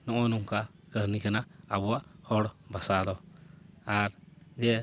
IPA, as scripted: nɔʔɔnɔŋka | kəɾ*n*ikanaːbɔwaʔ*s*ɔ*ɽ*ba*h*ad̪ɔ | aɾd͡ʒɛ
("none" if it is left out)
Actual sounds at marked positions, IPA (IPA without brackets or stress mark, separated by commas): n, h, ɽ, s